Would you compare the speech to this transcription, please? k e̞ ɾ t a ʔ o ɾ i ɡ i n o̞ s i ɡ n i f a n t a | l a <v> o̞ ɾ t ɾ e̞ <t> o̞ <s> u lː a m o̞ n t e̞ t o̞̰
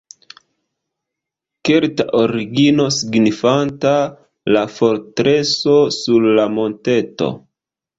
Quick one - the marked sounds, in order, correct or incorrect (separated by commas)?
incorrect, incorrect, correct